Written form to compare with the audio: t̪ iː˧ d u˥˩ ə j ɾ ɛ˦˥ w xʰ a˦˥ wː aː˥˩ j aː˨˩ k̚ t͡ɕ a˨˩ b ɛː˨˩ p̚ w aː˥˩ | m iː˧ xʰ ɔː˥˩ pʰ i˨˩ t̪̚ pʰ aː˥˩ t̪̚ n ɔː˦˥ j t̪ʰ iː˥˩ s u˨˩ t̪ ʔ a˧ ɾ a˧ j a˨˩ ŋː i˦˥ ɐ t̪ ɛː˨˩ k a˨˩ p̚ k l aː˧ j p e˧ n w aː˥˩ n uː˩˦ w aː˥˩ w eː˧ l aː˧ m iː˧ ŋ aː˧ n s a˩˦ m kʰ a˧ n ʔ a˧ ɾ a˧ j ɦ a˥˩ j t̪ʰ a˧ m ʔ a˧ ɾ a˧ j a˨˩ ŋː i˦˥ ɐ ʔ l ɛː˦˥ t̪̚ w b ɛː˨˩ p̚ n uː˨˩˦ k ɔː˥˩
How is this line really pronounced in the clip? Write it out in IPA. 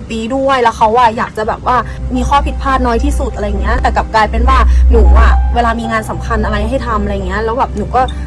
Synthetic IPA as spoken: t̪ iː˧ d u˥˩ ə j l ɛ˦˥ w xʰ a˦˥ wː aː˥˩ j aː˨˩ k̚ t͡ɕ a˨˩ b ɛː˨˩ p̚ w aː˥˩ | m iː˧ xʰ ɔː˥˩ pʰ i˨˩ t̪̚ pʰ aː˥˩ t̪̚ n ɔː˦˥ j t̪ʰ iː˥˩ s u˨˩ t̪ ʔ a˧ ɾ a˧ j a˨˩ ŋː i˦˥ ɐ t̪ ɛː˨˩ k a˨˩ p̚ k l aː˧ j p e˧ n w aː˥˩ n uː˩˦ w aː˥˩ w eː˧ l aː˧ m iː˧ ŋ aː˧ n s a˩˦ m kʰ a˧ n ʔ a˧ ɾ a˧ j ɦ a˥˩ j t̪ʰ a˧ m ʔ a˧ ɾ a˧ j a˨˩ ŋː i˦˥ ɐ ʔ l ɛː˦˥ w b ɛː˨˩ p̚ n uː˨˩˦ k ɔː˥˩